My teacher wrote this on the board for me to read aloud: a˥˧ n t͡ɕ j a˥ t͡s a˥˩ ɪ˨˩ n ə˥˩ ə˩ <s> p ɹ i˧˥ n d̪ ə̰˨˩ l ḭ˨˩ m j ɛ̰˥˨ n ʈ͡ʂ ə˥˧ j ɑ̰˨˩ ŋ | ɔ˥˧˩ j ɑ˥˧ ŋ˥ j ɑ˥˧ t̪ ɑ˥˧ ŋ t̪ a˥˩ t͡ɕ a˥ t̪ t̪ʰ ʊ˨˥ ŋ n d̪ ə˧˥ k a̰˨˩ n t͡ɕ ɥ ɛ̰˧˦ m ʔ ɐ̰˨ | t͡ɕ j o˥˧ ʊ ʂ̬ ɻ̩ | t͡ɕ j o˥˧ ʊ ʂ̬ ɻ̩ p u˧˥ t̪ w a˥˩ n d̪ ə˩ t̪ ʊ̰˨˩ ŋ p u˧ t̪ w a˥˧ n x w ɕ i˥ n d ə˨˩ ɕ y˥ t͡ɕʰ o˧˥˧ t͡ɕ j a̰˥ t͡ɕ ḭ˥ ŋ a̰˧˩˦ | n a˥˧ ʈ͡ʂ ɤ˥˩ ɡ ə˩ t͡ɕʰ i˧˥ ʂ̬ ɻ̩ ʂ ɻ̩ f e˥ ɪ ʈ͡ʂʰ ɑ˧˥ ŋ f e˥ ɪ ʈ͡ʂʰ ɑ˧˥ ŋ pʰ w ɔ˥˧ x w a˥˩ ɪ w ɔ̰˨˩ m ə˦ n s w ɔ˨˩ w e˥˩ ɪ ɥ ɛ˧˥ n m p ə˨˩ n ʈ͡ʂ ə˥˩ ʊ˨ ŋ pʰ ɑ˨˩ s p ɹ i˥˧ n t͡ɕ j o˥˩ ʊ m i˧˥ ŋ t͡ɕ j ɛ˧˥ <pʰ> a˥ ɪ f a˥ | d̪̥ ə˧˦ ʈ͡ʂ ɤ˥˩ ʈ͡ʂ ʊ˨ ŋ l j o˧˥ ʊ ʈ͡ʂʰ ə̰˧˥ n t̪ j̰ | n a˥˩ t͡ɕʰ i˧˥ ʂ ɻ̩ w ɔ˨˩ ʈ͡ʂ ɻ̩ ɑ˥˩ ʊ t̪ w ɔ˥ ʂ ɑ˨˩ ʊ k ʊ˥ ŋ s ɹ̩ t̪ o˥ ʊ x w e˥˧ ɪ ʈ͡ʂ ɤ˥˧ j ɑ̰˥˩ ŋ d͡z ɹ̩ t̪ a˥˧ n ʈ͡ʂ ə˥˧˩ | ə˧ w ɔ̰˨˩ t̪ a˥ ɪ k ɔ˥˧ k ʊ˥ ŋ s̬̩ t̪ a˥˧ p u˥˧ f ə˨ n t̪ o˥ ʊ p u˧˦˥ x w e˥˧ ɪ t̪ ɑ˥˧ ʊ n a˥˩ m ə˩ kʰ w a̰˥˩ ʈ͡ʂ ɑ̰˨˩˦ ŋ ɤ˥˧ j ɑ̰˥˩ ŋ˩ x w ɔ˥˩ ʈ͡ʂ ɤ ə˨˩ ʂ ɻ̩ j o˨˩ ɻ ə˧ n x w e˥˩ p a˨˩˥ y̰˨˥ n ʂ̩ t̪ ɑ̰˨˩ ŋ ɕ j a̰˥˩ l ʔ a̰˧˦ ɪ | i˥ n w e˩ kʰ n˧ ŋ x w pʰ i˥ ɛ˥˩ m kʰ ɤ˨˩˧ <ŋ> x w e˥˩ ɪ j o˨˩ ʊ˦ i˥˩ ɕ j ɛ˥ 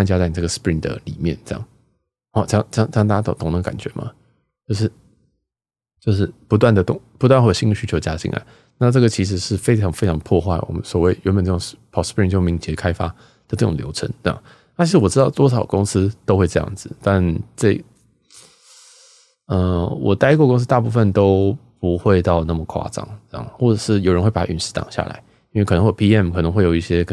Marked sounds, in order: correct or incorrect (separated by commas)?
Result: correct, incorrect, correct